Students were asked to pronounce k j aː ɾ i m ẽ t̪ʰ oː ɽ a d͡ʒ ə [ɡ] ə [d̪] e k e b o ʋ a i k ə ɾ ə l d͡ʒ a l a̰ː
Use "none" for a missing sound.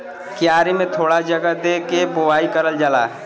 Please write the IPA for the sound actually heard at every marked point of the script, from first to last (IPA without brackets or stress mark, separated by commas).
ɡ, d̪